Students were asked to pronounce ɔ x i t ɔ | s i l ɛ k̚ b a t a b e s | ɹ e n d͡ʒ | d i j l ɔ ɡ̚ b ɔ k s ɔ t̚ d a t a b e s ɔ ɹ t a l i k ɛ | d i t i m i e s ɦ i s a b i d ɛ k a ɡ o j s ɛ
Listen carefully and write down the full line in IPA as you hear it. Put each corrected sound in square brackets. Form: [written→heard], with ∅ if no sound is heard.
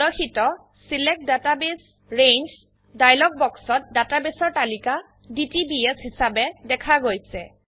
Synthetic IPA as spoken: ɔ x i t ɔ | s i l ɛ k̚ [b→d] a t a b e s | ɹ e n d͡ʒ | d [i→a] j l ɔ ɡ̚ b ɔ k s ɔ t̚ d a t a b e s ɔ ɹ t a l i k [ɛ→a] | d i t i [m→b] i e s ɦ i s a b [i→ɛ] d ɛ [k→kʰ] a ɡ o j s ɛ